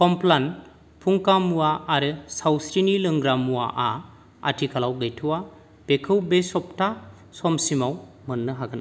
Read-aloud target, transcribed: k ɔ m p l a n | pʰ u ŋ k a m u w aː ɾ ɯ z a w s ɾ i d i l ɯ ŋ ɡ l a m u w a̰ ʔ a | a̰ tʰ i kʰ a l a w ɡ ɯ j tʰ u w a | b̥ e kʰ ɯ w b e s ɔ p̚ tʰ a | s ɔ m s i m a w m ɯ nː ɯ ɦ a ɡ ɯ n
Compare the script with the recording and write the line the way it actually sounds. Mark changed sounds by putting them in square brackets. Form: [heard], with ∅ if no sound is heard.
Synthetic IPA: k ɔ m p l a n | pʰ u ŋ k a m u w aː ɾ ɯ [s] a w s ɾ i [n] i l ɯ ŋ ɡ [ɾ] a m u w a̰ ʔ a | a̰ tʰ i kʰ a l a w ɡ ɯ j tʰ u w a | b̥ e kʰ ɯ w b e s ɔ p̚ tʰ a | s ɔ m s i m a w m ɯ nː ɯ ɦ a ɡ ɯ n